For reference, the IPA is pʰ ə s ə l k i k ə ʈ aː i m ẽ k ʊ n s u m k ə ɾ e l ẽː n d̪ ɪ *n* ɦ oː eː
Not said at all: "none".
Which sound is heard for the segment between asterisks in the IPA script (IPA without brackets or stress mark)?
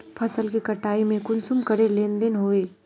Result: n